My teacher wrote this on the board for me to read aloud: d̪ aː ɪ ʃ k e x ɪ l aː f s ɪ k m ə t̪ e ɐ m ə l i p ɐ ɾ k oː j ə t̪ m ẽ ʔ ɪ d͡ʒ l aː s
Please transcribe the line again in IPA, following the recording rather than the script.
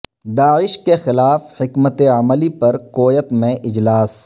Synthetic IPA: d̪ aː ɪ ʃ k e x ɪ l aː f h ɪ k m ə t̪ e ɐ m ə l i p ɐ ɾ k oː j ə t̪ m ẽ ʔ ɪ d͡ʒ l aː s